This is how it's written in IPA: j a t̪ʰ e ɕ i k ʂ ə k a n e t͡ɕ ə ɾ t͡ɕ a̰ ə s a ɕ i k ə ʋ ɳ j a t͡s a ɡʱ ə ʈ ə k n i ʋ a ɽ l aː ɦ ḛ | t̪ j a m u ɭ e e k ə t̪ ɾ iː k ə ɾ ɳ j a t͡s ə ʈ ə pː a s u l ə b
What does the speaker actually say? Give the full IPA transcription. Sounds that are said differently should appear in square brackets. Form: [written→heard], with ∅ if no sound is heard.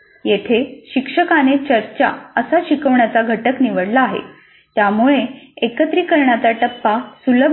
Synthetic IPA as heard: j [a→e] t̪ʰ e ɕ i k ʂ ə k a n e t͡ɕ ə ɾ t͡ɕ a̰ ə s a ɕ i k ə ʋ ɳ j a t͡s a ɡʱ ə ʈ ə k n i ʋ [a→ə] ɽ l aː ɦ ḛ | t̪ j a m u ɭ e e k ə t̪ ɾ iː k ə ɾ ɳ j a t͡s [ə→a] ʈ ə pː a s u l ə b

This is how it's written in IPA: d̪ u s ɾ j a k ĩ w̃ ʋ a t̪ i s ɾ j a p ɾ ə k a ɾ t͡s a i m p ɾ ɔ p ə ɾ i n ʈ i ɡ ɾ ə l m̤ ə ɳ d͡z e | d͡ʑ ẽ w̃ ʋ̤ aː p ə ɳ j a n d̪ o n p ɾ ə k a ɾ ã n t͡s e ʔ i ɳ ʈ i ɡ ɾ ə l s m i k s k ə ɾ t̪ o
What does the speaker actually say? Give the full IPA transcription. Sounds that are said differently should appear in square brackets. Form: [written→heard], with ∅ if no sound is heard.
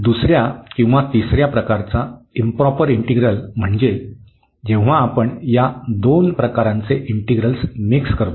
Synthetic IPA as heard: d̪ u s ɾ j a k ĩ w̃ ʋ a t̪ i s ɾ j a p ɾ ə k a ɾ t͡s a i m p ɾ ɔ p ə ɾ i [n→ɳ] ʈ i ɡ ɾ ə l m̤ ə ɳ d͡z e | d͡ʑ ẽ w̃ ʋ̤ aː p ə ɳ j a [n→∅] d̪ o n p ɾ ə k a ɾ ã n t͡s e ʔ i ɳ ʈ i ɡ ɾ ə l s m i k s k ə ɾ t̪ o

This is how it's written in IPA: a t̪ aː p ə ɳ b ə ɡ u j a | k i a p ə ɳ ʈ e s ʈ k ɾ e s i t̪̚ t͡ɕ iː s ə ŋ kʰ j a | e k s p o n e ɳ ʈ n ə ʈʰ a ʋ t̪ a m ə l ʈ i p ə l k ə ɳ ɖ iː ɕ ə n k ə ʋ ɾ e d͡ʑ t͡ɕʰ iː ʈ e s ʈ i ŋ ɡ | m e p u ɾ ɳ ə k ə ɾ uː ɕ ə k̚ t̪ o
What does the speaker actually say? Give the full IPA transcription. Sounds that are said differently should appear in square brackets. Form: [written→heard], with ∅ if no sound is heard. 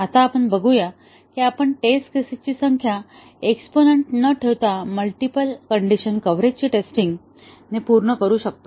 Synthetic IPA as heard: a t̪ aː p ə ɳ b ə ɡ u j a | k i a p ə ɳ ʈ e s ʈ k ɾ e s i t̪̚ t͡ɕ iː s ə ŋ kʰ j a | e k s p o n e ɳ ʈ n ə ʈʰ [a→e] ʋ t̪ a m ə l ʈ i p ə l k ə ɳ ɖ [iː→i] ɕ ə n k ə ʋ ɾ e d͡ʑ [t͡ɕʰ→t͡ɕ] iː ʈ e s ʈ i ŋ ɡ | [m→n] e p u ɾ ɳ ə k ə ɾ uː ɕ ə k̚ t̪ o

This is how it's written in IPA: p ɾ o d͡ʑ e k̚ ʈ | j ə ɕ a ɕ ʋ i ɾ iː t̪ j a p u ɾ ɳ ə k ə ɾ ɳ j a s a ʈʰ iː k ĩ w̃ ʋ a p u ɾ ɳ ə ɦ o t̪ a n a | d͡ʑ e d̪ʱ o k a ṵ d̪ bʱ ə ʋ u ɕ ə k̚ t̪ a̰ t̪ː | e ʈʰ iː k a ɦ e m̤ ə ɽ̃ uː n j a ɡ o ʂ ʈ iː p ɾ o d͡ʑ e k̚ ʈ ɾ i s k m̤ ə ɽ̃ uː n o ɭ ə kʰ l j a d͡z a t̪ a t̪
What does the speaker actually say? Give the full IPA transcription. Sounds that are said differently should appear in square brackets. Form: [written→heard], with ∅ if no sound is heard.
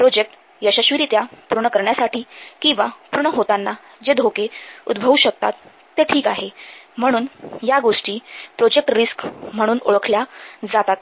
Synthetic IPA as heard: p ɾ o d͡ʑ e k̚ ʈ | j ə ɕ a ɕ ʋ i ɾ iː t̪ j a p u ɾ ɳ ə k ə ɾ ɳ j a s a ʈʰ iː k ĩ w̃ ʋ a p u ɾ ɳ ə ɦ o t̪ a [n→nː] a | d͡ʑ e d̪ʱ o k [a→e] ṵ d̪ bʱ ə ʋ u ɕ ə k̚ t̪ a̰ t̪ː | e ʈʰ iː k a ɦ e m̤ ə ɽ̃ uː n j a ɡ o ʂ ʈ iː p ɾ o d͡ʑ e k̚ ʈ ɾ i s k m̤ ə ɽ̃ uː n o ɭ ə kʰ l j a d͡z a t̪ a t̪

